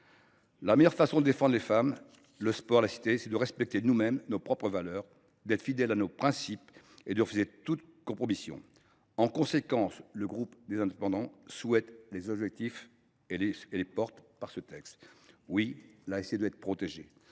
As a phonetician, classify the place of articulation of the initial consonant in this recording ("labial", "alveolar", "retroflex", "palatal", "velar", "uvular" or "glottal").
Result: alveolar